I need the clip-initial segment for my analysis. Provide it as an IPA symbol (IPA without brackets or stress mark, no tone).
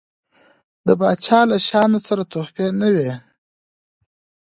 d̪